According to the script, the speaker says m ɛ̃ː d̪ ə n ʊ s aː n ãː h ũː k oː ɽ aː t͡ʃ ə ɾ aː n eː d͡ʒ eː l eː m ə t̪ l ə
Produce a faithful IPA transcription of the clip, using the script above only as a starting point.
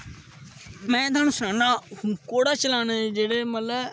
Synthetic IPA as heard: m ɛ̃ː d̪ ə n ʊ s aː n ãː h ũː k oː ɽ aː t͡ʃ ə l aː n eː d͡ʒ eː ɽ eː m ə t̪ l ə